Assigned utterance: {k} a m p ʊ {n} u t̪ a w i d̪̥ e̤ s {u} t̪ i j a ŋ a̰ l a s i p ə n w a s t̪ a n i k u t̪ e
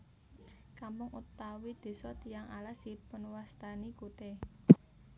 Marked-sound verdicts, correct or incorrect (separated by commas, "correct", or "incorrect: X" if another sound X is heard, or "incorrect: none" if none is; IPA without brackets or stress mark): correct, incorrect: ŋ, incorrect: ɔ